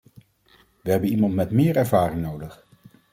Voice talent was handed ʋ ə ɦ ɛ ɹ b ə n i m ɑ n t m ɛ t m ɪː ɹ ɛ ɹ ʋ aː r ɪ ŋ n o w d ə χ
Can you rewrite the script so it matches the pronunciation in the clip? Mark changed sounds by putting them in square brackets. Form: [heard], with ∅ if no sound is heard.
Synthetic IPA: ʋ ə ɦ ɛ [∅] b ə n i m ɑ n t m ɛ t m ɪː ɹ ɛ ɹ [v] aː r ɪ ŋ n o w d ə χ